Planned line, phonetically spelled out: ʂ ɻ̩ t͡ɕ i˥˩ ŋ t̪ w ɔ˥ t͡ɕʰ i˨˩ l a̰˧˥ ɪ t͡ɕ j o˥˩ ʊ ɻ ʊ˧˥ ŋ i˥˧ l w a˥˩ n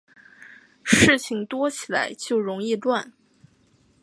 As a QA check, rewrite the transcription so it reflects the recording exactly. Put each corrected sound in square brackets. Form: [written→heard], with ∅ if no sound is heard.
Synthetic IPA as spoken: ʂ ɻ̩ [t͡ɕ→t͡ɕʰ] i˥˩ ŋ t̪ w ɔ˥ t͡ɕʰ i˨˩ l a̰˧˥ ɪ t͡ɕ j o˥˩ ʊ ɻ ʊ˧˥ ŋ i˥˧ l w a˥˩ n

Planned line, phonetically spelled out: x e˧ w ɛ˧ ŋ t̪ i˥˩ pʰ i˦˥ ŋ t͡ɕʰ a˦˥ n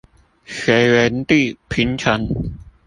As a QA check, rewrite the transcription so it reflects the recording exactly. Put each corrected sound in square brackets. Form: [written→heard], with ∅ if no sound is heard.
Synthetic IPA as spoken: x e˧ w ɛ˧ [ŋ→n] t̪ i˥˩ pʰ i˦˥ [ŋ→n] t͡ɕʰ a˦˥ n

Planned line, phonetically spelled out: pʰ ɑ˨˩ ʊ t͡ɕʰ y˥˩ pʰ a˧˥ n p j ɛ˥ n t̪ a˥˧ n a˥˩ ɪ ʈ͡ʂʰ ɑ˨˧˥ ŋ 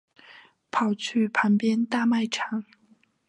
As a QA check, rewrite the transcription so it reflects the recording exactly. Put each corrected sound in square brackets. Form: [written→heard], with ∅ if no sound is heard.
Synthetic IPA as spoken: pʰ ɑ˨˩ ʊ t͡ɕʰ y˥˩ pʰ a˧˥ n p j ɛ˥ n t̪ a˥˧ [n→m] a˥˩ ɪ ʈ͡ʂʰ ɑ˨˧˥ ŋ

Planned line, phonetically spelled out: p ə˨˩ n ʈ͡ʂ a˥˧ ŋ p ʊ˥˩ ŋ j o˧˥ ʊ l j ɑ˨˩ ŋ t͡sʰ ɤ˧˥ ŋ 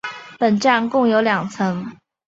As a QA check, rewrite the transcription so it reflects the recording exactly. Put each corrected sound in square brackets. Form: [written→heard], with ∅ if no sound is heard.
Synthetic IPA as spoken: p ə˨˩ n ʈ͡ʂ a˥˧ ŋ [p→k] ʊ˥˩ ŋ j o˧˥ ʊ l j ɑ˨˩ ŋ t͡sʰ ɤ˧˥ ŋ

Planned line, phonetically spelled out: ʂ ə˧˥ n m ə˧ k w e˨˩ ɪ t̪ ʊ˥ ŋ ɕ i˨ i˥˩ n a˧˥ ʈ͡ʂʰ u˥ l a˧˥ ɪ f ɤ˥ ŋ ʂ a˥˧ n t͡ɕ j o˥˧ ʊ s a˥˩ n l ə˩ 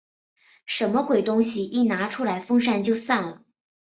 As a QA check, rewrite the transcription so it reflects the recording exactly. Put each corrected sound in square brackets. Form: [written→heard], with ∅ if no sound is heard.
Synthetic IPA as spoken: ʂ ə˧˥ n m ə˧ k w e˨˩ ɪ t̪ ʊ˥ ŋ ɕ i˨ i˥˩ n a˧˥ ʈ͡ʂʰ u˥ l a˧˥ ɪ f ɤ˥ ŋ ʂ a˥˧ n t͡ɕ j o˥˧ ʊ s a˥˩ n l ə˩

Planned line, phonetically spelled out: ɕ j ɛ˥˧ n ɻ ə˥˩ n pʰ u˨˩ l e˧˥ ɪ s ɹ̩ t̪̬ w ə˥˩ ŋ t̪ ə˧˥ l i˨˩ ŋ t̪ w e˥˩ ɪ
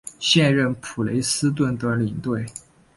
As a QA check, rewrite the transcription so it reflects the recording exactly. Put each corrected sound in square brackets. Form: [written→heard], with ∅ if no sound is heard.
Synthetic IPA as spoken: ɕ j ɛ˥˧ n ɻ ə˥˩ n pʰ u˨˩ l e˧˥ ɪ s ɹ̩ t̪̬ w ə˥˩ [ŋ→n] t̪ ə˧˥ l i˨˩ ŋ t̪ w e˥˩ ɪ

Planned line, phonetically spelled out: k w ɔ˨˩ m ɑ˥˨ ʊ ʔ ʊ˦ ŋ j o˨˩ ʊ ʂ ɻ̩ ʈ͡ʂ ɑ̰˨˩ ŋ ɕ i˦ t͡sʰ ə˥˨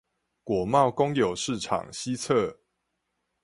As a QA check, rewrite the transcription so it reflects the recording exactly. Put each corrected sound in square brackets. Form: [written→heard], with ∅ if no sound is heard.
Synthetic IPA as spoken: k w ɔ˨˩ m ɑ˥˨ ʊ [ʔ→k] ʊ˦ ŋ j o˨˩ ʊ ʂ ɻ̩ [ʈ͡ʂ→ʈ͡ʂʰ] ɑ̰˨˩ ŋ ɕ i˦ t͡sʰ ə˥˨

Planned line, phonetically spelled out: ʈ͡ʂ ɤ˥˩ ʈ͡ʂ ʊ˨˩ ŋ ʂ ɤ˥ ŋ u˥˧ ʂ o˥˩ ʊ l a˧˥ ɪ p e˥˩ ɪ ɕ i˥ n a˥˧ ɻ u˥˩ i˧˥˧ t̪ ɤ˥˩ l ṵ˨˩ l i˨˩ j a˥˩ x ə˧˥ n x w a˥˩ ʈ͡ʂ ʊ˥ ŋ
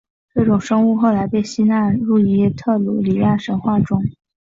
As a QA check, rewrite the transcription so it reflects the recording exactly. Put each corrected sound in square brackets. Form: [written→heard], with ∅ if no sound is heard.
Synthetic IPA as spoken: ʈ͡ʂ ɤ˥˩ ʈ͡ʂ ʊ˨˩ ŋ ʂ ɤ˥ ŋ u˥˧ [ʂ→x] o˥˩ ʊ l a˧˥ ɪ p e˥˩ ɪ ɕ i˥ n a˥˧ ɻ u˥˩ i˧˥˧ [t̪→t̪ʰ] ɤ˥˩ l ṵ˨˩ l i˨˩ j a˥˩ [x→ʂ] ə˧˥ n x w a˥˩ ʈ͡ʂ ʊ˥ ŋ

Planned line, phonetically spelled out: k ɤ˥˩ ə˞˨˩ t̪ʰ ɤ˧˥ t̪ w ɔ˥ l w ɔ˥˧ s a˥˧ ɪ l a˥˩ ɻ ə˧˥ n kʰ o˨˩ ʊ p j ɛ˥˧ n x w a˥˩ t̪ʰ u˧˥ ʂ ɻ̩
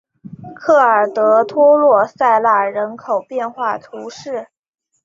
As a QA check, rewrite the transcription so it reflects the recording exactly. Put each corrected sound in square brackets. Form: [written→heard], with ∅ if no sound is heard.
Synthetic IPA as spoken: [k→kʰ] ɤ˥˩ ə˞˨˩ [t̪ʰ→t̪] ɤ˧˥ [t̪→t̪ʰ] w ɔ˥ l w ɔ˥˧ s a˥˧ ɪ l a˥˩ ɻ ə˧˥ n kʰ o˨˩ ʊ p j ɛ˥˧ n x w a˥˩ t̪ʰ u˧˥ ʂ ɻ̩

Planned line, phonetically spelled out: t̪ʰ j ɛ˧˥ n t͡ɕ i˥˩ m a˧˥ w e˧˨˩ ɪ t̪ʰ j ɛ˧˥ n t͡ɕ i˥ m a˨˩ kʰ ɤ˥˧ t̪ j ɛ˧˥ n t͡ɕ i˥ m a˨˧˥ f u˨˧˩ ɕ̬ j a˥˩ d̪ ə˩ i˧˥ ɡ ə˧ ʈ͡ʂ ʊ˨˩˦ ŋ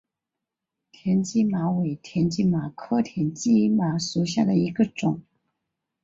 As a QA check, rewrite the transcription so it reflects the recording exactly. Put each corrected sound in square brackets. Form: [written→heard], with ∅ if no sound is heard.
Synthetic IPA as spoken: t̪ʰ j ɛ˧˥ n t͡ɕ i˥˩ m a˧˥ w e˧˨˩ ɪ t̪ʰ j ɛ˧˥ n t͡ɕ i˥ m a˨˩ kʰ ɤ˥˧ [t̪→t̪ʰ] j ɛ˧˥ n t͡ɕ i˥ m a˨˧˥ [f→ʂ] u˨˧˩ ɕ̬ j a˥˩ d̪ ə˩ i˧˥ ɡ ə˧ ʈ͡ʂ ʊ˨˩˦ ŋ

